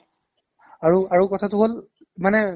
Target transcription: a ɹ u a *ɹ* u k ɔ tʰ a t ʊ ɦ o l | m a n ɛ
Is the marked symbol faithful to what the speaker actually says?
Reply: yes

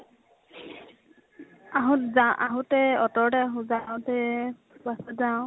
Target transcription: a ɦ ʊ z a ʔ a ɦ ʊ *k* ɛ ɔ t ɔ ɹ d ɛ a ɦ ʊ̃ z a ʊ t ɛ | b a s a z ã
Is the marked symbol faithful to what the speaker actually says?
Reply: no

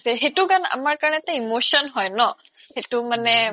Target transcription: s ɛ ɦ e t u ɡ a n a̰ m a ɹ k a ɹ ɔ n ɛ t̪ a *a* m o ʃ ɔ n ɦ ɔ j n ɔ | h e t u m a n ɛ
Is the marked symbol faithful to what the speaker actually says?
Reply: no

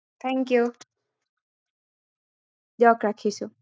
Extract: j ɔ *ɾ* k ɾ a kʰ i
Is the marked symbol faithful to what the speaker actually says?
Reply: no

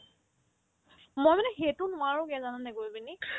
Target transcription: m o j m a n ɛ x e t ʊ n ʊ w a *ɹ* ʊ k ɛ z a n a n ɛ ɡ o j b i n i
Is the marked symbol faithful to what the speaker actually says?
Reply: yes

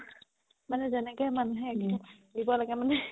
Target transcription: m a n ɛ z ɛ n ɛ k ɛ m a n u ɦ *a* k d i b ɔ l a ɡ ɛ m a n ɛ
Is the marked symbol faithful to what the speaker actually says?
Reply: no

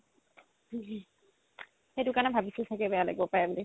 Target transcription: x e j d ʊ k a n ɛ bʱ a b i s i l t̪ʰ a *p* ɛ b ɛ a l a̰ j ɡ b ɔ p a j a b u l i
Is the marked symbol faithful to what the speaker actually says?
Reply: no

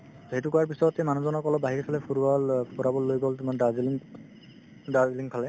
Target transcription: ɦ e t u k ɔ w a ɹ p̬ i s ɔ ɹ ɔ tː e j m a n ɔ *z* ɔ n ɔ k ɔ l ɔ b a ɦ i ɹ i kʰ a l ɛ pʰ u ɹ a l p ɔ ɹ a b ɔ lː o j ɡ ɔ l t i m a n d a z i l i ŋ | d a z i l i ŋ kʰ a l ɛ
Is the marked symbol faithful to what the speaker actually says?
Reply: yes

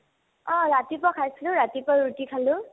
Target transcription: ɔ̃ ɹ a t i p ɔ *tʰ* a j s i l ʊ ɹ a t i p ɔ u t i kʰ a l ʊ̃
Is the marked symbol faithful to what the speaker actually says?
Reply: no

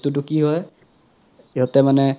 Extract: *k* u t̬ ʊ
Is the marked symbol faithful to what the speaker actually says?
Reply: no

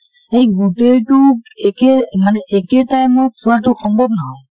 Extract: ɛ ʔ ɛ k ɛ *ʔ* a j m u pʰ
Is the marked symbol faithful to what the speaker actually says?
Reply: no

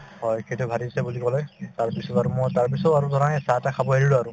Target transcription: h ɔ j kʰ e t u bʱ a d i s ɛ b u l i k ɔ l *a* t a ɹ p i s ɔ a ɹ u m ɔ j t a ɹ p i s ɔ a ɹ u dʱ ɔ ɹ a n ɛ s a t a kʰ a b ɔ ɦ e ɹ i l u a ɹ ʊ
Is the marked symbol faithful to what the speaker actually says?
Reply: no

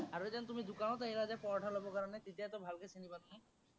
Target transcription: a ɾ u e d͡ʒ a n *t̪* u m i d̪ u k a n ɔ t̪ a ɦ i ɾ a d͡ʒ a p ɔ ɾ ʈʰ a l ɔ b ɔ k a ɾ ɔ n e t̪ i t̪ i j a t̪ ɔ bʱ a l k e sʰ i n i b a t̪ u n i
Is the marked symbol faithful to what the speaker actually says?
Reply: yes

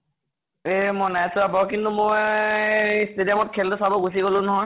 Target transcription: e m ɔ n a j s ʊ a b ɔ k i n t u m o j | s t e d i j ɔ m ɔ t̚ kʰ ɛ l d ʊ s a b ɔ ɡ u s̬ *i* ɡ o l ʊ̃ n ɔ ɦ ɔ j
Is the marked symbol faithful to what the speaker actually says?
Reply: yes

